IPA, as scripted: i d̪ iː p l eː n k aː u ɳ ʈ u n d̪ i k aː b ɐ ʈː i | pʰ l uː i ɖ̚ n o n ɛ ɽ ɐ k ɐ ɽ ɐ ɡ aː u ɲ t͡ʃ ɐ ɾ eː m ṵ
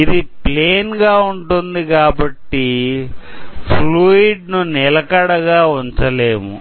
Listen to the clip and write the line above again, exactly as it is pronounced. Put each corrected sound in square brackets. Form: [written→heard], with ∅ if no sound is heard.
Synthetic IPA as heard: i d̪ [iː→i] p l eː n [k→ɡ] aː u ɳ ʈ u n d̪ i k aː b ɐ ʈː i | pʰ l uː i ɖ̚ n [o→u] n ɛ [ɽ→l] ɐ k ɐ ɽ ɐ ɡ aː u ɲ t͡ʃ ɐ [ɾ→l] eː m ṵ

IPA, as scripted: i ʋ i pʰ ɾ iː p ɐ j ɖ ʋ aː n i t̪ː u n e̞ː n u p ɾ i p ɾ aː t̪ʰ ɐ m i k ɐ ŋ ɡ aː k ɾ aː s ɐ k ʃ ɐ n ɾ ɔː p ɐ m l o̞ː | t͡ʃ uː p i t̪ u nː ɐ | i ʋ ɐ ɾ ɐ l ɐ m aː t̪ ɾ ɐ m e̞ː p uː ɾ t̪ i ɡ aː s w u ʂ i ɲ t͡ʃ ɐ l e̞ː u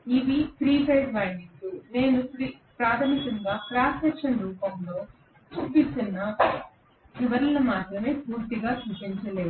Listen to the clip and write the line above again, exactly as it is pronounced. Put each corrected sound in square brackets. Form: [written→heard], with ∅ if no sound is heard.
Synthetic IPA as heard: i ʋ i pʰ ɾ iː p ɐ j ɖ ʋ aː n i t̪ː u n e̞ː n u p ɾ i p ɾ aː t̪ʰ ɐ m i k ɐ ŋ ɡ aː k ɾ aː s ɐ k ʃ ɐ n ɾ [ɔː→uː] p ɐ m l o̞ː | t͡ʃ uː p i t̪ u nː ɐ | i ʋ ɐ ɾ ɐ l ɐ m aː t̪ ɾ ɐ m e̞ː p uː ɾ t̪ i ɡ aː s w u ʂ i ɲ t͡ʃ ɐ l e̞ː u

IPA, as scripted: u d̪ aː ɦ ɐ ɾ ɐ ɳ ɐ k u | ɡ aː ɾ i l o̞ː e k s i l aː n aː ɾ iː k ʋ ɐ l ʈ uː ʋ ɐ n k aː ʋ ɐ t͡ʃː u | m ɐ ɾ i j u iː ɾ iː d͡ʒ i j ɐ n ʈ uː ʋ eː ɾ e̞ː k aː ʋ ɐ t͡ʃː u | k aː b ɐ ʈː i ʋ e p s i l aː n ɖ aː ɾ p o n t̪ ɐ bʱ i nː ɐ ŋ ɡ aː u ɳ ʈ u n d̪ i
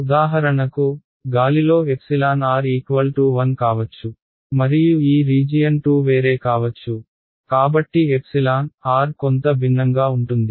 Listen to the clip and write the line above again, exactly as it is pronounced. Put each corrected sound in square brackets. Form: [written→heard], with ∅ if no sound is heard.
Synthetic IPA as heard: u d̪ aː ɦ ɐ ɾ ɐ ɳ ɐ k u | ɡ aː [ɾ→l] i l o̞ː e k s i l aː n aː ɾ iː k ʋ ɐ l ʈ uː ʋ ɐ n k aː ʋ ɐ t͡ʃː u | m ɐ ɾ i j u iː ɾ iː d͡ʒ i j ɐ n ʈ uː ʋ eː ɾ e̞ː k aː ʋ ɐ t͡ʃː u | k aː b ɐ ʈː i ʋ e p s i l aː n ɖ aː ɾ [p→k] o n t̪ ɐ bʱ i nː ɐ ŋ ɡ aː u ɳ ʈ u n d̪ i

